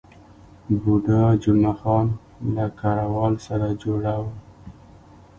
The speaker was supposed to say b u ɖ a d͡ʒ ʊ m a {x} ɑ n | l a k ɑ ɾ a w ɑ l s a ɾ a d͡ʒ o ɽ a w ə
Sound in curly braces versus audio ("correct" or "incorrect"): correct